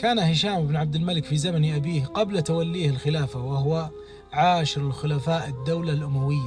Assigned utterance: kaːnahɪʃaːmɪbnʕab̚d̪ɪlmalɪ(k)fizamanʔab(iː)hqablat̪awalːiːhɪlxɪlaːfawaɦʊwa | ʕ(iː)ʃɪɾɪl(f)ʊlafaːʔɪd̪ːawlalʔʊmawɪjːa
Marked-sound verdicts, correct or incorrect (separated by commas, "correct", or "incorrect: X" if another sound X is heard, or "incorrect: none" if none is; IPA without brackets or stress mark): correct, correct, incorrect: aː, incorrect: x